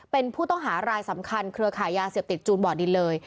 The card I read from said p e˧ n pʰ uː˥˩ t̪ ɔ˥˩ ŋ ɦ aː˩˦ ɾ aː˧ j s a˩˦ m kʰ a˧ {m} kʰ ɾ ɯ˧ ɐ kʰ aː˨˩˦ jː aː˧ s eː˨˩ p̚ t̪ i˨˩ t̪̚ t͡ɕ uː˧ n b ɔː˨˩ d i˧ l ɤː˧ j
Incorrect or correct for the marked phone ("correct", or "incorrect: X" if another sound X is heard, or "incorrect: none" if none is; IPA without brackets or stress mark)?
incorrect: n